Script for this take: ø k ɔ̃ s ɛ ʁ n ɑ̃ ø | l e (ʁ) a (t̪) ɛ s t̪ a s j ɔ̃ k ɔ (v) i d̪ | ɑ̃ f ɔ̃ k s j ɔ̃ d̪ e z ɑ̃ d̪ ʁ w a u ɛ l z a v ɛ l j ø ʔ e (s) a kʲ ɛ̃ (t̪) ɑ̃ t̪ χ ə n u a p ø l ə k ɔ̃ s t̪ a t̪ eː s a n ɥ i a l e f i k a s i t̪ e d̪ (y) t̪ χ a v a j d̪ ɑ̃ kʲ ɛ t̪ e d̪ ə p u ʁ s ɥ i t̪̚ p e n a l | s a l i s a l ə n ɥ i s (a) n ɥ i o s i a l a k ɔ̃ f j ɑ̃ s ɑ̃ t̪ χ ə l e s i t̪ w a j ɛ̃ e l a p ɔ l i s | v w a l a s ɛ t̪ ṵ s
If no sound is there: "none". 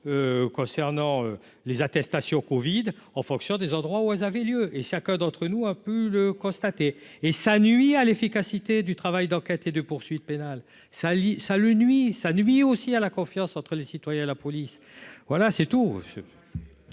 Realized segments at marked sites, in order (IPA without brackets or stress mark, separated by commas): z, t̪, v, ʃ, d̪, y, a